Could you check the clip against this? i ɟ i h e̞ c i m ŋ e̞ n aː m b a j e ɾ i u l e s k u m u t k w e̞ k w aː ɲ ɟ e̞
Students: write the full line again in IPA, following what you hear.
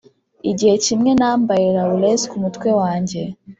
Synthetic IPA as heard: i ɟ i h e̞ c i m ŋ e̞ n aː m b a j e ɾ a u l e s k u m u t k w e̞ w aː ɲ ɟ e̞